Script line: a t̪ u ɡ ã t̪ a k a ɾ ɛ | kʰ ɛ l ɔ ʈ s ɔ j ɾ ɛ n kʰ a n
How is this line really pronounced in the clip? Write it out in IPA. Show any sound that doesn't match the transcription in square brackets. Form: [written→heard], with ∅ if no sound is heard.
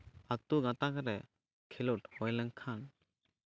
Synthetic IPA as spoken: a t̪ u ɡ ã t̪ a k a ɾ ɛ | kʰ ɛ l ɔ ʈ [s→h] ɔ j [ɾ→l] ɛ [n→ŋ] kʰ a n